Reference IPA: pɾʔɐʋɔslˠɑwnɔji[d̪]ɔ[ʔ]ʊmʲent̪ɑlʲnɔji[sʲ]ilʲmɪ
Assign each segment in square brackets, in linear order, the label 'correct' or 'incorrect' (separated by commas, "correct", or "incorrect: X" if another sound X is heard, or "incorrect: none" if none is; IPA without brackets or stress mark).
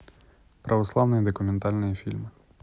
correct, incorrect: k, incorrect: fʲ